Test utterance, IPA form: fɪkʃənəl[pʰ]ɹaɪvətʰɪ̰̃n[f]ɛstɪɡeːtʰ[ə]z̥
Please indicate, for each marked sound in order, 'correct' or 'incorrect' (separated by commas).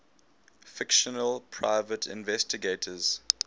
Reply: correct, incorrect, correct